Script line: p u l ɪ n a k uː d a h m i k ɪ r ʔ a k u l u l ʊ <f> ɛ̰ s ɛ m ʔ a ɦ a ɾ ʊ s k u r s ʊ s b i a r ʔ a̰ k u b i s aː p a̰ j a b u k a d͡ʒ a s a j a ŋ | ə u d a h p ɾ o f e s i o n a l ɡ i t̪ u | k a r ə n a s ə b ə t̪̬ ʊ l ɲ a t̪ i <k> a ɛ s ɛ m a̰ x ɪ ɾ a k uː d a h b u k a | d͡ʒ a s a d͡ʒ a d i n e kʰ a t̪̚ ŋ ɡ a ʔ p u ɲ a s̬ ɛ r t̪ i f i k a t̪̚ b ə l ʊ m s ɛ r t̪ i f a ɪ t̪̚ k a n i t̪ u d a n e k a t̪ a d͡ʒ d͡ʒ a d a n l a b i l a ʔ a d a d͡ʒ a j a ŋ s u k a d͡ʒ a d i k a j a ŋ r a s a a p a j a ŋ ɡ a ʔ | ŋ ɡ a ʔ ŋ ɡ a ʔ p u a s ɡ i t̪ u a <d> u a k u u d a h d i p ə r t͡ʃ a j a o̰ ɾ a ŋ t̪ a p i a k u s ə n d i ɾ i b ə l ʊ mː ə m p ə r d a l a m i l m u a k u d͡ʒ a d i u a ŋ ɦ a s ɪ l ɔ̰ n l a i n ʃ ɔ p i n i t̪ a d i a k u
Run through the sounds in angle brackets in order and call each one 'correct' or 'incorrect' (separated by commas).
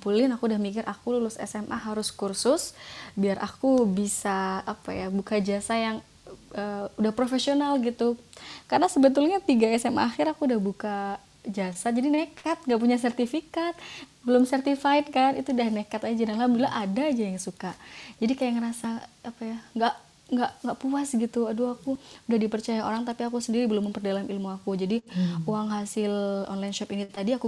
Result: incorrect, incorrect, correct